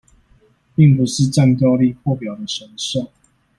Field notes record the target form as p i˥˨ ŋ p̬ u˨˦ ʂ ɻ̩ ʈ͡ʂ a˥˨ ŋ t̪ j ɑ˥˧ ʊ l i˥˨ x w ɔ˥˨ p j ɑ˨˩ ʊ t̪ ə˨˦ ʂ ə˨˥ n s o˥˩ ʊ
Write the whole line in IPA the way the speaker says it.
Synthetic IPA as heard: p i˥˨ ŋ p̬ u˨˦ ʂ ɻ̩ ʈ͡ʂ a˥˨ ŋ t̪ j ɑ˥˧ ʊ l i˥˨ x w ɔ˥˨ p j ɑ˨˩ ʊ d̪ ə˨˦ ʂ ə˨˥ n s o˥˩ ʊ